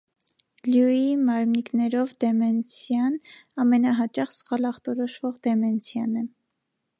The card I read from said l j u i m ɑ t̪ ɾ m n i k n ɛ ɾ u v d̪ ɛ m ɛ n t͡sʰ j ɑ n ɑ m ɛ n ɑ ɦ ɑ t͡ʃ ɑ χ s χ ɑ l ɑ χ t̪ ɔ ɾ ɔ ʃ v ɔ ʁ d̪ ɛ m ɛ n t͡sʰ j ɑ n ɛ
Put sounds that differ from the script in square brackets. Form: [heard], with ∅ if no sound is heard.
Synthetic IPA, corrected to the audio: l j u i m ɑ [∅] ɾ m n i k n ɛ ɾ [ɔ] v d̪ ɛ m ɛ n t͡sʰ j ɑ n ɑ m ɛ n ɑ ɦ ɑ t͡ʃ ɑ χ s χ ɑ l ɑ χ t̪ ɔ ɾ ɔ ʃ v ɔ ʁ d̪ ɛ m ɛ n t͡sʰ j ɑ n ɛ